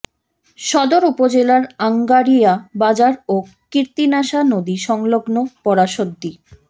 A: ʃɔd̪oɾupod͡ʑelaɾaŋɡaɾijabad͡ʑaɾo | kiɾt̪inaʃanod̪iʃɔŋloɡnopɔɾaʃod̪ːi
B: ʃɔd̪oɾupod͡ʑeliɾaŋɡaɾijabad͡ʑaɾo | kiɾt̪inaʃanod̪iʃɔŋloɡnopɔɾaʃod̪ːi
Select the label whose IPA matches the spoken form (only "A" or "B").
A